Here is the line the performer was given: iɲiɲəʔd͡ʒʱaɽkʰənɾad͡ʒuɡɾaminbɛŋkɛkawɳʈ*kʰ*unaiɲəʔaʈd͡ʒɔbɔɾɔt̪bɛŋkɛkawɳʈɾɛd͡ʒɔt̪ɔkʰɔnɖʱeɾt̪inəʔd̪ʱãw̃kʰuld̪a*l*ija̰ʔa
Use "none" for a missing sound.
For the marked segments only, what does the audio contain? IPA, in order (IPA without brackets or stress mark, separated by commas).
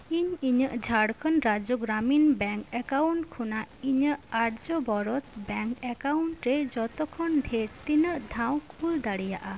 kʰ, ɽ